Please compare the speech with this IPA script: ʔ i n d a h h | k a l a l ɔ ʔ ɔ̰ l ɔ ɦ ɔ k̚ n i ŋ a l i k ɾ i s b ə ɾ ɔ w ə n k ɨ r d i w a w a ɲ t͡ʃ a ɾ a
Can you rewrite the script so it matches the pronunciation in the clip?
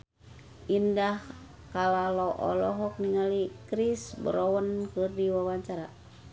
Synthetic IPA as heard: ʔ i n d a h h | k a l a l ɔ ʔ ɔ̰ l ɔ ɦ ɔ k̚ n i ŋ a l i k ɾ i s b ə ɾ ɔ w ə n k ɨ r d i w a w a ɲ t͡ʃ a ɾ a